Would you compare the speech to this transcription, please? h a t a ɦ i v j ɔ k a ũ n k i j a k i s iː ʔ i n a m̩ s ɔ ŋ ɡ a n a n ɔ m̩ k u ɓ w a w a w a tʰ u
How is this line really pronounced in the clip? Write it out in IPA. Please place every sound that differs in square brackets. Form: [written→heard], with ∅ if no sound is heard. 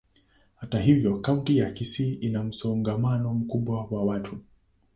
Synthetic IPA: h a t a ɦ i v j ɔ k a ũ n [k→t] i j a k i s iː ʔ i n a m̩ s ɔ ŋ ɡ a [n→m] a n ɔ m̩ k u ɓ w a w a w a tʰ u